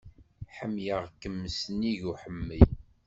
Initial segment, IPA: ħ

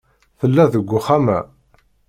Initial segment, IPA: θ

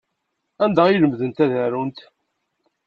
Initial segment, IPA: æ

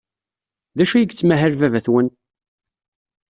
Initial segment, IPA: ð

